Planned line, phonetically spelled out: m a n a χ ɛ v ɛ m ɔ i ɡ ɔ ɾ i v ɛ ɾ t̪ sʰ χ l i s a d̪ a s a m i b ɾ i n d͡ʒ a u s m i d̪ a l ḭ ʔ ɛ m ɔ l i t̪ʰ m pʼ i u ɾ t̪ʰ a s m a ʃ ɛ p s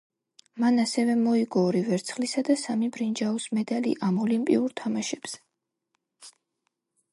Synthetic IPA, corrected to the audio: m a n a s ɛ v ɛ m ɔ i ɡ ɔ ɾ i v ɛ ɾ t̪ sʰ χ l i s a d̪ a s a m i b ɾ i n d͡ʒ a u s m ɛ d̪ a l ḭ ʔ a m ɔ l i m pʼ i u ɾ t̪ʰ a m a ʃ ɛ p s